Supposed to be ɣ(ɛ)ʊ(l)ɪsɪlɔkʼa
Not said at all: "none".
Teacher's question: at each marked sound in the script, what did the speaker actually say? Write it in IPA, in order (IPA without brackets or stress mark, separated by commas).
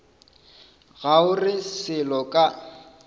a, r